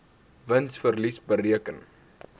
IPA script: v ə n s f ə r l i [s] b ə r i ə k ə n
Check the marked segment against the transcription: correct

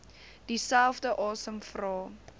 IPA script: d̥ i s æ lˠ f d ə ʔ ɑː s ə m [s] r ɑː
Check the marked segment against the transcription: incorrect: f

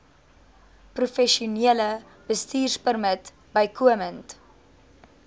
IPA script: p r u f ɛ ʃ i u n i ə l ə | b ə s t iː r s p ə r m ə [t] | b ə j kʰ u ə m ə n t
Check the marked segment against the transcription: correct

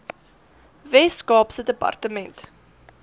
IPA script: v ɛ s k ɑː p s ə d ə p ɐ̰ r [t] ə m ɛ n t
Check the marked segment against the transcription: correct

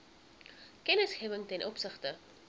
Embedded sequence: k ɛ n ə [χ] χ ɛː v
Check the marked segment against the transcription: incorrect: s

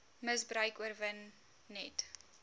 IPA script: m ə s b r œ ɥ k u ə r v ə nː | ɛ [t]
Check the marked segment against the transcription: correct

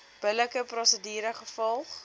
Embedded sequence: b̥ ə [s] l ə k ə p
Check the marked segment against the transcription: incorrect: none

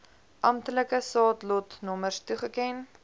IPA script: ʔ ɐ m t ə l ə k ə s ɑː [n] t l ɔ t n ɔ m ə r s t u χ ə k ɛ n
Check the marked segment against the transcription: incorrect: none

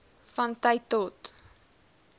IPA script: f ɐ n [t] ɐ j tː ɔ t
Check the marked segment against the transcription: correct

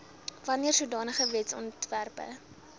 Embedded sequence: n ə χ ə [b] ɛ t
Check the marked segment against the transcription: incorrect: v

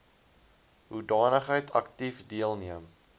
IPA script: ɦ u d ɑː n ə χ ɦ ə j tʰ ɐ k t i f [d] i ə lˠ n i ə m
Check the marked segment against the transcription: correct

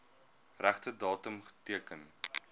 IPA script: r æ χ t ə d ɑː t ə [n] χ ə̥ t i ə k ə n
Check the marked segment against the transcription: incorrect: m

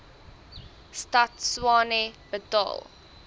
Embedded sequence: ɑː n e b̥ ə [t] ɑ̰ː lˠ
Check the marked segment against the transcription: correct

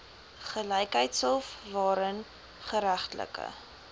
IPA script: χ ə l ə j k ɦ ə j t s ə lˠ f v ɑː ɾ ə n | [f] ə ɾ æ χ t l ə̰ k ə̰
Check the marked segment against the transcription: incorrect: χ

